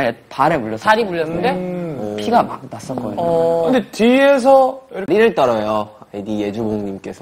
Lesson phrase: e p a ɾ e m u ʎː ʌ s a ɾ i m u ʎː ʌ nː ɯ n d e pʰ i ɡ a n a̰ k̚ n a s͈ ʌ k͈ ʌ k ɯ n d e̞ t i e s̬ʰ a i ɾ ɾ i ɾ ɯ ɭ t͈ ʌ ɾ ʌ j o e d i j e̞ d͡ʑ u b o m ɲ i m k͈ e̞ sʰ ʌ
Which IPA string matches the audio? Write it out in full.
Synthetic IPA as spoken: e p a ɾ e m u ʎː ʌ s a ɾ i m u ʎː ʌ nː ɯ n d e pʰ i ɡ a m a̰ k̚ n a s͈ ʌ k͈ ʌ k ɯ n d e̞ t i e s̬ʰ ʌ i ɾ ɾ i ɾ ɯ ɭ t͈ ʌ ɾ ʌ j o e d i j e̞ d͡ʑ u b o ŋ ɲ i m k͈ e̞ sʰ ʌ